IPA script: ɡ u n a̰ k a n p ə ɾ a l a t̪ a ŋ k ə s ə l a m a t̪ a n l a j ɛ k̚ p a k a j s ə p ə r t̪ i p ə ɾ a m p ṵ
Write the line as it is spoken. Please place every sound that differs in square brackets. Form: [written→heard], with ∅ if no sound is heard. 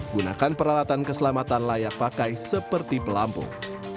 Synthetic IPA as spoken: ɡ u n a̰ k a n p ə ɾ a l a t̪ a [ŋ→n] k ə s ə l a m a t̪ a n l a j [ɛ→a] k̚ p a k a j s ə p ə r t̪ i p ə [ɾ→l] a m p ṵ